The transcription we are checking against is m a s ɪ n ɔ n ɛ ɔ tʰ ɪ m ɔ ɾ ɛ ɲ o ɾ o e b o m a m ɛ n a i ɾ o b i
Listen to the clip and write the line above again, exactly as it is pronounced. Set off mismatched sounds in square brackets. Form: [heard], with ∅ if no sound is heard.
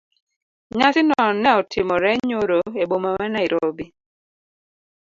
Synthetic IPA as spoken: [ɲ] a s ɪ n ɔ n ɛ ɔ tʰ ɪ m ɔ ɾ ɛ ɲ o ɾ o e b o m a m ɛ n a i ɾ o b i

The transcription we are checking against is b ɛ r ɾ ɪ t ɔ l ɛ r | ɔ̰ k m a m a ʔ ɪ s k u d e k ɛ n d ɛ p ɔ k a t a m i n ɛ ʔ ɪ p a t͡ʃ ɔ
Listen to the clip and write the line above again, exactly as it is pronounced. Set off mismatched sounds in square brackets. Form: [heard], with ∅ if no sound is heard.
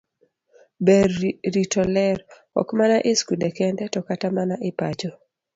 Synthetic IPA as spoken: b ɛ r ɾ [i] t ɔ l ɛ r | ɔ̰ k m a [n] a ʔ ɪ s k u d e k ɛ n d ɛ [t] ɔ k a t a m [a] n [a] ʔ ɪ p a t͡ʃ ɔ

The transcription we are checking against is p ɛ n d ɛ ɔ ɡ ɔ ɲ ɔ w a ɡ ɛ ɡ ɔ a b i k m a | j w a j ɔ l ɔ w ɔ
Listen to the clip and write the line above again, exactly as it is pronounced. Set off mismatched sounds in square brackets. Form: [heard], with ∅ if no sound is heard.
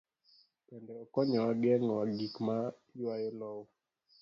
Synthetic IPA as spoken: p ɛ n d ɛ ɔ [k] ɔ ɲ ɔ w a ɡ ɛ [ŋ] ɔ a [ɡ] i k m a | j w a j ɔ l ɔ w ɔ

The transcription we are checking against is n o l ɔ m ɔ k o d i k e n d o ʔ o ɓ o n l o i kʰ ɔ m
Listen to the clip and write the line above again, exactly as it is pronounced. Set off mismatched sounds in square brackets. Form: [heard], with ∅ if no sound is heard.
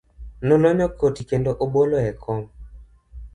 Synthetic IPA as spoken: n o l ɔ [ɲ] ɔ k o [t] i k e n d o ʔ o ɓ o [∅] l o [ɛ] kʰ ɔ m

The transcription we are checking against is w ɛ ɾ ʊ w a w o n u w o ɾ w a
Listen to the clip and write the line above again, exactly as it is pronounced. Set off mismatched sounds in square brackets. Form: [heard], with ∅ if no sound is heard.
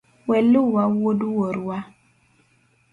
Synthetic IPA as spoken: w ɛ [l] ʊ w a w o [d] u w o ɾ w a

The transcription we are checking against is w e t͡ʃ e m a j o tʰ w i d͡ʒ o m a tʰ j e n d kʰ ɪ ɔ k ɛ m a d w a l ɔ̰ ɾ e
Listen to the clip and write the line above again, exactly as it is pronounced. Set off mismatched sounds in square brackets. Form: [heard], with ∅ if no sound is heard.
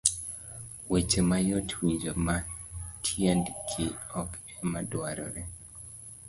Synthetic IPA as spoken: w e t͡ʃ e m a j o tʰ w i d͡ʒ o m a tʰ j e n d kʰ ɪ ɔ k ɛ m a d w a [ɾ] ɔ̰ ɾ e

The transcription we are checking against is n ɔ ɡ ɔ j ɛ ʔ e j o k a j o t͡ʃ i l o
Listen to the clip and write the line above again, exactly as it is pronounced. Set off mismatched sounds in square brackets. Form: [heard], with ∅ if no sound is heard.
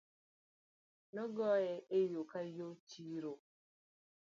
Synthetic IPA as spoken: n ɔ ɡ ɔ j ɛ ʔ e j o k a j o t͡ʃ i [ɾ] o

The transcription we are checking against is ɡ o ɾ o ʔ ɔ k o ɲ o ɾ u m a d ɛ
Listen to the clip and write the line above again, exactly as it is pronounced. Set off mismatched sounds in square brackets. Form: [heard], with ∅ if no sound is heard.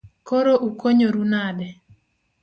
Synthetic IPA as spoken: [k] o ɾ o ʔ [u] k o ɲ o ɾ u [n] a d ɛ

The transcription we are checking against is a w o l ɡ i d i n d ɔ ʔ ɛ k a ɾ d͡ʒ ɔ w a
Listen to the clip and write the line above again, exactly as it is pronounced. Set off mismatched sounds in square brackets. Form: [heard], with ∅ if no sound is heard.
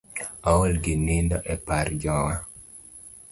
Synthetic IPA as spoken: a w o l ɡ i [n] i n d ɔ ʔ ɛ [p] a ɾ d͡ʒ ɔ w a

